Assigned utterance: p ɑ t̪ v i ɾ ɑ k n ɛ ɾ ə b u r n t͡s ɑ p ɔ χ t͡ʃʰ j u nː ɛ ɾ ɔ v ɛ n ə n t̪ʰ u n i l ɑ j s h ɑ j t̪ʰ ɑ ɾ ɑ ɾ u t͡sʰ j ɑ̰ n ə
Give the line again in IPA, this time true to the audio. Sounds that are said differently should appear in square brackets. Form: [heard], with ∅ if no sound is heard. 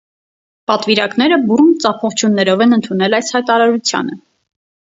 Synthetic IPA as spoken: p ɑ t̪ v i ɾ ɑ k n ɛ ɾ ə b u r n t͡s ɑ [pʰ] ɔ χ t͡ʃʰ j u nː ɛ ɾ ɔ v ɛ n ə n t̪ʰ u n [ɛ] l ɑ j s h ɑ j [t̪] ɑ ɾ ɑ ɾ u t͡sʰ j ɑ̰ n ə